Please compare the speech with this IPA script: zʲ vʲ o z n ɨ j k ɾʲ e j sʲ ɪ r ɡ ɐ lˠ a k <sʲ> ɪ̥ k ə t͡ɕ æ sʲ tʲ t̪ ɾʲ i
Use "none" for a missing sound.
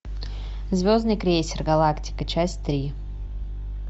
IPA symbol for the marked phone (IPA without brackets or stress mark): tʲ